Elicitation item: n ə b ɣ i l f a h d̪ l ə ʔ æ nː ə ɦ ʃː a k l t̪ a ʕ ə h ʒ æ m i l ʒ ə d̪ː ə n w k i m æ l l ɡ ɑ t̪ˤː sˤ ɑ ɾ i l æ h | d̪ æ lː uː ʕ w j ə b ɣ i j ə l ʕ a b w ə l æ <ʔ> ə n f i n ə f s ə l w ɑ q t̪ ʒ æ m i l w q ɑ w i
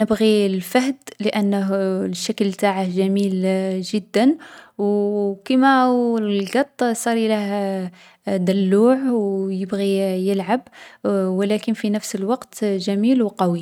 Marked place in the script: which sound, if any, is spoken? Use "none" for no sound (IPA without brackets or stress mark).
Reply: k